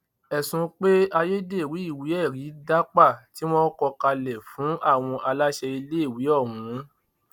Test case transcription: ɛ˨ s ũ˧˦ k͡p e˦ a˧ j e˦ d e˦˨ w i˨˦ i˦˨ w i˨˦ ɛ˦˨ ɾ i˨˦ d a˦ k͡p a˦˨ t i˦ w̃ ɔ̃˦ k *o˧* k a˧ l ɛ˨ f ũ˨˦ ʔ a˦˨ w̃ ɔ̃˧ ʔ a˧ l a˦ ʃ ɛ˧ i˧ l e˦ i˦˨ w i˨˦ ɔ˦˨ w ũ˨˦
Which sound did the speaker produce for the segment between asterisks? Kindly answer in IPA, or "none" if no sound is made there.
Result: ɔ˧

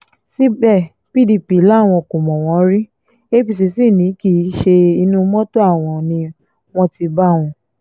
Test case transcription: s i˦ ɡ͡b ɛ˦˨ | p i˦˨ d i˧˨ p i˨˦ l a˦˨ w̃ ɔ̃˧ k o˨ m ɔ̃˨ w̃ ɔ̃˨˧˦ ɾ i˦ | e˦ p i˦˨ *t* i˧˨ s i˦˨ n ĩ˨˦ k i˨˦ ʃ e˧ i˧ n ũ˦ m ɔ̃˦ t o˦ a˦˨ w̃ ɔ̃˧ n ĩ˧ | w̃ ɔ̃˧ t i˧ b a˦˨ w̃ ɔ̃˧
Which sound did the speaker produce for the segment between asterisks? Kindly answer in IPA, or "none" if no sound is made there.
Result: s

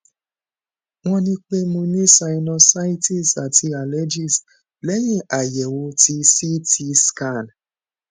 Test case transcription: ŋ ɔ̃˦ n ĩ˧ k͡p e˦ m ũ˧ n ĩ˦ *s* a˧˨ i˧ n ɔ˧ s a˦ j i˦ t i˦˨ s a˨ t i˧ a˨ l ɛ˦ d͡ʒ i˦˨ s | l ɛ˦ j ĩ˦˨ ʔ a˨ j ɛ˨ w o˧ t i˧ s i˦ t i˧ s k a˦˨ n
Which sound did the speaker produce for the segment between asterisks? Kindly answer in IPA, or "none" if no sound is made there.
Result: s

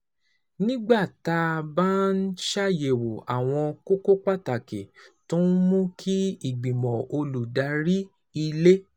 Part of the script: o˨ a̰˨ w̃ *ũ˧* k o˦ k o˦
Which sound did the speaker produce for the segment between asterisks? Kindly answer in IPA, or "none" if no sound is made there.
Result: ɔ̃˧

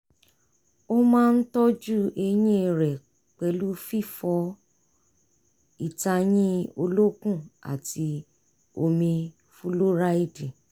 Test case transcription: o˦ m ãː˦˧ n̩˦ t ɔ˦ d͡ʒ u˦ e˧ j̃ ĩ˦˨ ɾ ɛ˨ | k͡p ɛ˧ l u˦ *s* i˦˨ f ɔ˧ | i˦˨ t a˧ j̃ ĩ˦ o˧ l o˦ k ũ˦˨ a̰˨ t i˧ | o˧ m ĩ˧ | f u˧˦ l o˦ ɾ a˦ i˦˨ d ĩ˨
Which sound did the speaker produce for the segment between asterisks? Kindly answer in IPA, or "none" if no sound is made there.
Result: f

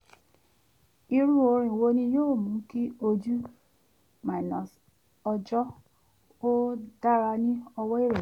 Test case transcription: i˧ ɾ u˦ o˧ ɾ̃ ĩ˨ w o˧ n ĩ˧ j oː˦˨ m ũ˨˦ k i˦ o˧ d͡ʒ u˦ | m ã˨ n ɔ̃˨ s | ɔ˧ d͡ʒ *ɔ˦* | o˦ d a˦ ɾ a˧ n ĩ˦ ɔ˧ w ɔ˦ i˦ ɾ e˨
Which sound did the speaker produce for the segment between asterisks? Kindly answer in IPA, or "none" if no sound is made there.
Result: ɔ˦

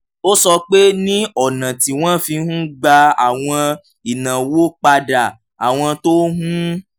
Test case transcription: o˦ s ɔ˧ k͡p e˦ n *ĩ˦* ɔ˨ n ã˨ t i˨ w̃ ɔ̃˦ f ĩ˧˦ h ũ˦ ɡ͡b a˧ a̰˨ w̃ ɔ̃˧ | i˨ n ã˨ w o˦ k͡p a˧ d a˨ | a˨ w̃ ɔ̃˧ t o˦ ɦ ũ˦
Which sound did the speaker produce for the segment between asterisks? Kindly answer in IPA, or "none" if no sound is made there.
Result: ĩ˦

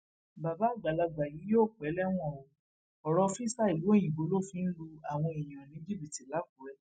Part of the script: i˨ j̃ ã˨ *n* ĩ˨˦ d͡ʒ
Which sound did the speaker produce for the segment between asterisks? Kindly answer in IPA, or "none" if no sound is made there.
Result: n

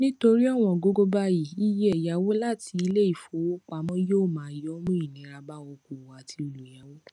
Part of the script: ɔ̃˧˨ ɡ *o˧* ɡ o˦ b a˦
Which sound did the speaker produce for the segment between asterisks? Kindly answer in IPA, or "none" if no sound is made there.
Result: o˧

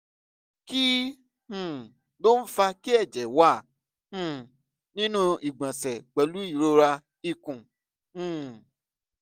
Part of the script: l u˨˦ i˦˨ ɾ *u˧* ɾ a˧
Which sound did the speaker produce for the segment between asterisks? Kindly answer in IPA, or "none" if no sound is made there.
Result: o˧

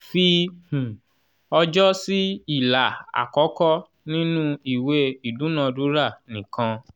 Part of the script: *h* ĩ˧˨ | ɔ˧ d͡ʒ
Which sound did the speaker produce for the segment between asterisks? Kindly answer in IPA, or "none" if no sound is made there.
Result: f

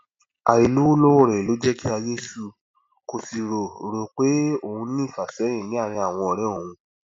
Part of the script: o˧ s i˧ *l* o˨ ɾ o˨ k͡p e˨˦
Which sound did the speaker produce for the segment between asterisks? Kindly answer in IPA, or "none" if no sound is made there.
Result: ɾ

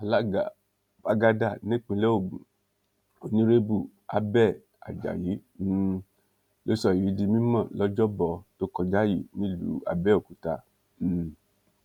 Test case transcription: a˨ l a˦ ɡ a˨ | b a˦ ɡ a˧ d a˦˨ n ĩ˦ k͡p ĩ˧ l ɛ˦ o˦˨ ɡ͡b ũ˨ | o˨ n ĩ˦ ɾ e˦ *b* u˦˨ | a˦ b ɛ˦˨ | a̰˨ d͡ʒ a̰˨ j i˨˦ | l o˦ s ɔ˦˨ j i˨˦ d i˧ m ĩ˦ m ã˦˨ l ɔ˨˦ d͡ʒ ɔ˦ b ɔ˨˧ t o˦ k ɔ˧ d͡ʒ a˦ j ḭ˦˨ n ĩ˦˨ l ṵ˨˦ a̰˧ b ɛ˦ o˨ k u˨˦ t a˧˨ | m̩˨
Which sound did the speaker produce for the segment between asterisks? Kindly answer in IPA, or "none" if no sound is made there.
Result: b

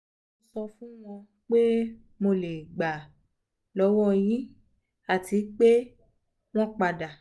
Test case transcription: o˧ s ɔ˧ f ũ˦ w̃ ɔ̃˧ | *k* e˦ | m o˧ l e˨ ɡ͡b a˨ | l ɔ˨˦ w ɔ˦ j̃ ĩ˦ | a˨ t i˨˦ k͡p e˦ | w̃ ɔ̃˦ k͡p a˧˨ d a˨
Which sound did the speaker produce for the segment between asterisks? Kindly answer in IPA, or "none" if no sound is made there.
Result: k͡p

